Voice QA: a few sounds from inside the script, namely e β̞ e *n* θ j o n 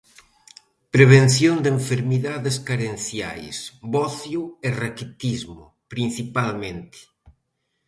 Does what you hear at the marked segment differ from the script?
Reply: no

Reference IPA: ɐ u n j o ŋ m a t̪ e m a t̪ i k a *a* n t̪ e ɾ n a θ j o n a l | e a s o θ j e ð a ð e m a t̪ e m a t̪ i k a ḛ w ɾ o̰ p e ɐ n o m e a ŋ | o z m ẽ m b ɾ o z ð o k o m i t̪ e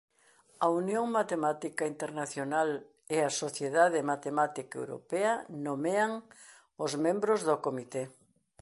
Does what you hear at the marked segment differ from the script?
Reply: yes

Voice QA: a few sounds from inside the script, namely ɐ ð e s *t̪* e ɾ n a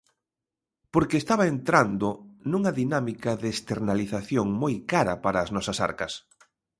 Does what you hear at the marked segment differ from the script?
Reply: no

